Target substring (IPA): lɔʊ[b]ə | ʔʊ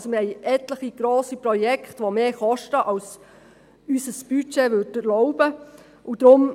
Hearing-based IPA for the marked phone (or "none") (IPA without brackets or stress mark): b